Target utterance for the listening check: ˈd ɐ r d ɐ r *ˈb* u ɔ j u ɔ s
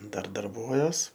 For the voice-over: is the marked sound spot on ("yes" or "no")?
yes